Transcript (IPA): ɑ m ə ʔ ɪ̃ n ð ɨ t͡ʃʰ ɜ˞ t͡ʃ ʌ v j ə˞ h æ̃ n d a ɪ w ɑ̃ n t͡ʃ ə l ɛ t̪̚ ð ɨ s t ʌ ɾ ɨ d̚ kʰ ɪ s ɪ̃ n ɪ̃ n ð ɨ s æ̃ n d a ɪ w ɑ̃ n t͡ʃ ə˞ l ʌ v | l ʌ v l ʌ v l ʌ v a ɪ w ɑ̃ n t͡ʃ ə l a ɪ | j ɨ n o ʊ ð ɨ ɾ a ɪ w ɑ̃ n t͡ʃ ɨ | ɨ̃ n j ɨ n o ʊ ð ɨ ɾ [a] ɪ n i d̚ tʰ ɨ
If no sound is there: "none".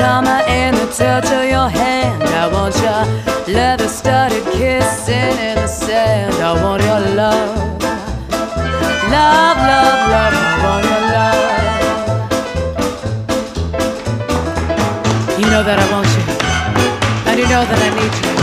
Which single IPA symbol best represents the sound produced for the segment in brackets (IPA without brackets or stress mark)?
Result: a